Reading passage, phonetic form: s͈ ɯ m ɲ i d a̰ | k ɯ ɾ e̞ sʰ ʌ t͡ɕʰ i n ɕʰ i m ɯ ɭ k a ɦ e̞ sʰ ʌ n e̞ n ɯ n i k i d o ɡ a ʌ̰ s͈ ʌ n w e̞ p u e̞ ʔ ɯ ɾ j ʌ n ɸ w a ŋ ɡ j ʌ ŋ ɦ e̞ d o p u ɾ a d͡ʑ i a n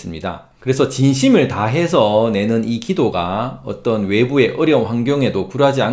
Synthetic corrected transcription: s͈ ɯ m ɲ i d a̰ | k ɯ ɾ e̞ sʰ ʌ t͡ɕ i n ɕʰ i m ɯ ɭ t a ɦ e̞ sʰ ʌ n e̞ n ɯ n i k i d o ɡ a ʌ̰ t͈ ʌ n w e̞ b u e̞ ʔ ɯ ɾ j ʌ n ɸ w a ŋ ɡ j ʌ ŋ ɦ e̞ d o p u ɾ a d͡ʑ i a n